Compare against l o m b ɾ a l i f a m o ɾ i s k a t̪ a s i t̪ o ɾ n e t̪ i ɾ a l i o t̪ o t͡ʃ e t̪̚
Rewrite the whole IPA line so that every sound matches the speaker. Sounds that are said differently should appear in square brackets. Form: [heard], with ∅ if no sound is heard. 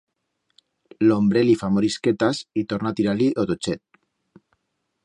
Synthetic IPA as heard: l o m b ɾ [e] l i f a m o ɾ i s k [e] t̪ a s i t̪ o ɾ n [a] t̪ i ɾ a l i o t̪ o t͡ʃ e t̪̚